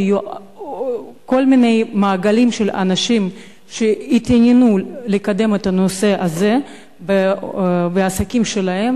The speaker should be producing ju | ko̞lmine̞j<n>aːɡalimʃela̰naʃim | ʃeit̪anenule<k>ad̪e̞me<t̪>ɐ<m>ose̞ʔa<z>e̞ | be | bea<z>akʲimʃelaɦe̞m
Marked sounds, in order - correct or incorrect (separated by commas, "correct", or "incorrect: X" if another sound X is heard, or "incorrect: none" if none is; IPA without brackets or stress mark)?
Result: incorrect: m, correct, correct, incorrect: n, correct, incorrect: s